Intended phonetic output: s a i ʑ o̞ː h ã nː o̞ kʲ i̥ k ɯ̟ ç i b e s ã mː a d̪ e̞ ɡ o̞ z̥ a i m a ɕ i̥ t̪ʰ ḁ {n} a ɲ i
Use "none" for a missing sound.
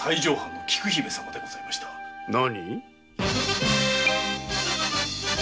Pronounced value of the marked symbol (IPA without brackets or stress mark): n